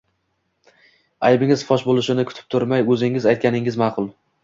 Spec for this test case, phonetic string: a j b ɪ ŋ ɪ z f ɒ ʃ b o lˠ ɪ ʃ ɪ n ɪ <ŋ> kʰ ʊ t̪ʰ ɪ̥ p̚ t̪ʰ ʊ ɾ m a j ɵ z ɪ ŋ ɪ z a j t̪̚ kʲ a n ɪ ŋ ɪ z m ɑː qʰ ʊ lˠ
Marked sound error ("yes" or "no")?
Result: yes